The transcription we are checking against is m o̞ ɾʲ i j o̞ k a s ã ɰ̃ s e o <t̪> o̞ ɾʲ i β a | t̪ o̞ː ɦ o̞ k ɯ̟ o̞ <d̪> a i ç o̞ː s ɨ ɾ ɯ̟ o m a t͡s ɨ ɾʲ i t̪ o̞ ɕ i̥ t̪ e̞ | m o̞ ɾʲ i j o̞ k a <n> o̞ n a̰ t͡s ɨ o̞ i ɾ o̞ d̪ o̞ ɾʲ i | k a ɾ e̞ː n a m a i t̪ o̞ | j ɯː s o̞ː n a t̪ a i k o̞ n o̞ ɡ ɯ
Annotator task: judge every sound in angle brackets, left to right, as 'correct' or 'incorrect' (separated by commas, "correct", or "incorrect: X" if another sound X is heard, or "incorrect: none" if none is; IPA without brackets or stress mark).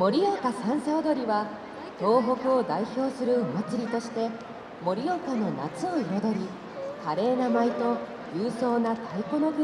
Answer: incorrect: d̪, correct, correct